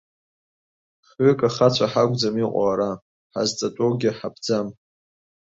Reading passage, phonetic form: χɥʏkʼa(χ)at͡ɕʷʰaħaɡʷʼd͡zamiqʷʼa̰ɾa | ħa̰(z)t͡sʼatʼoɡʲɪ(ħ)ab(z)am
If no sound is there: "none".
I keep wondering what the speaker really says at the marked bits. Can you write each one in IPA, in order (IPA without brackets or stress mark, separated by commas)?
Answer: χ, z, ħ, d͡z